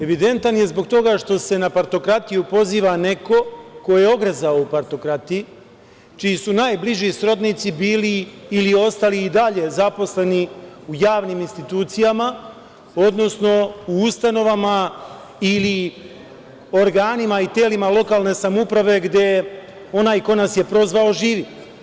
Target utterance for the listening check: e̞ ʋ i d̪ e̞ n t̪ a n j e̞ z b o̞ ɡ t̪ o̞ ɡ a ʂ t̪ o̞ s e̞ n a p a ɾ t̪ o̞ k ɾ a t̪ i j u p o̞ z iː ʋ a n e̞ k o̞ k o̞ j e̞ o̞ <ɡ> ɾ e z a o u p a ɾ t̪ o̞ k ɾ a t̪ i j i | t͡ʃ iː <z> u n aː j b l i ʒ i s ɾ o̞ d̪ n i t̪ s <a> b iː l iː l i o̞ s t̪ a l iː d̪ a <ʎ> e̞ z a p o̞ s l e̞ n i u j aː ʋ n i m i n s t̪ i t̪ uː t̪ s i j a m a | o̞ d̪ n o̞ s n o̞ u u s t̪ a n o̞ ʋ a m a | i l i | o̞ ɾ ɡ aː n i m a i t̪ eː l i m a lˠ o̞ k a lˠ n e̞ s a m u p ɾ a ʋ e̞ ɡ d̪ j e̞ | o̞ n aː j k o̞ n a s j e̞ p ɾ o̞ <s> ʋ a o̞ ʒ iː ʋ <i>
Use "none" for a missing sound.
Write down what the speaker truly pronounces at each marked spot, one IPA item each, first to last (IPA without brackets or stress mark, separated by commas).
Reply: ɡ, s, i, ʎ, z, i